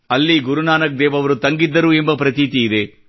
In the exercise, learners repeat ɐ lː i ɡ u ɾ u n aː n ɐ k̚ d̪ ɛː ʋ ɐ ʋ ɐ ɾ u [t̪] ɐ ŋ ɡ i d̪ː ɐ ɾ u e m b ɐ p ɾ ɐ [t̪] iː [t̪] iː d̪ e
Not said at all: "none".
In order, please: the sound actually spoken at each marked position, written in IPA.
t̪, t̪, t̪

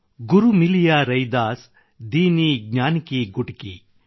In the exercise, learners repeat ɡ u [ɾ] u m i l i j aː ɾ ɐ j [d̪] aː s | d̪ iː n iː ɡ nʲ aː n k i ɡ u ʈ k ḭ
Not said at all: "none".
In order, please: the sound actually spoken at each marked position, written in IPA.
ɾ, d̪

